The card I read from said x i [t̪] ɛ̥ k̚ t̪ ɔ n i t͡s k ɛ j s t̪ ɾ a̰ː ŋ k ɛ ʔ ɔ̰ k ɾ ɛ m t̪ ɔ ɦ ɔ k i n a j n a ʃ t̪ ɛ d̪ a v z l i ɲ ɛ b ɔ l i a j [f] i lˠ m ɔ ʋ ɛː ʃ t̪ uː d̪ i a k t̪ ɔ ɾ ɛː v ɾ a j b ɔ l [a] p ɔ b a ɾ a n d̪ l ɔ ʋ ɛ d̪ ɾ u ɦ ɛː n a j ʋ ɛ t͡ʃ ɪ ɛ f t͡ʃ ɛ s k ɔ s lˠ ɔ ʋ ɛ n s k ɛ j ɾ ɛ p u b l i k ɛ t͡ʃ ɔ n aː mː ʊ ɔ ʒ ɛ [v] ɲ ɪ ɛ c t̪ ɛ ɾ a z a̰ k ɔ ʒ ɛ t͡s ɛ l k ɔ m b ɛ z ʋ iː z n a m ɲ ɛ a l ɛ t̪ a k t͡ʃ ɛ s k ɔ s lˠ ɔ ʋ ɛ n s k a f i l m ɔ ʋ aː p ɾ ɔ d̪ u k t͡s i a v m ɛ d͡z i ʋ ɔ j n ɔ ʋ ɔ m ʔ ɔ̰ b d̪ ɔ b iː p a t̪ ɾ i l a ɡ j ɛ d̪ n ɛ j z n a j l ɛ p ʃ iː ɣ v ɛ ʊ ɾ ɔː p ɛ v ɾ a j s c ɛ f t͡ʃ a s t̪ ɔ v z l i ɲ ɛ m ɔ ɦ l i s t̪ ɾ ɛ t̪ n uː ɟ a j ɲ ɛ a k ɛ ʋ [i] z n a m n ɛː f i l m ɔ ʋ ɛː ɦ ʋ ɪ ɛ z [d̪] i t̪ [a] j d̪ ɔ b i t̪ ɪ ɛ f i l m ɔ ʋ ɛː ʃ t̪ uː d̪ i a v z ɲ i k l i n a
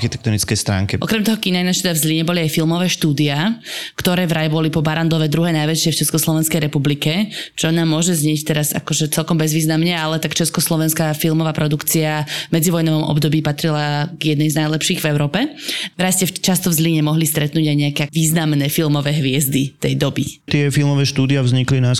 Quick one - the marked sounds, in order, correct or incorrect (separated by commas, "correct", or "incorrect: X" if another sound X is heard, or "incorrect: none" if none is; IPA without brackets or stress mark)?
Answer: correct, correct, incorrect: i, incorrect: z, incorrect: iː, correct, incorrect: ɛ